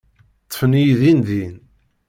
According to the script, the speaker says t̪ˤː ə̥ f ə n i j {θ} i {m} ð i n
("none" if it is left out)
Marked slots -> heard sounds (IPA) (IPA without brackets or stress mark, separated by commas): ð, n